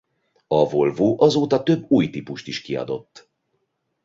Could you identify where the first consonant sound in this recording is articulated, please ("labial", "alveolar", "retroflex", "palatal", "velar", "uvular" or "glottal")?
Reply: labial